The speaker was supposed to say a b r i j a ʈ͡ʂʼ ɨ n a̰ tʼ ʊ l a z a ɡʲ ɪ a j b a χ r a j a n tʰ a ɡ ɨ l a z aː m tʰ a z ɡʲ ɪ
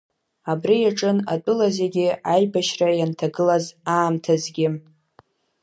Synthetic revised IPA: a b r i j a ʈ͡ʂʼ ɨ n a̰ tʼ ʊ l a z e ɡʲ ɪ a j b a ʃ r a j a n tʰ a ɡ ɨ l a z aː m tʰ a z ɡʲ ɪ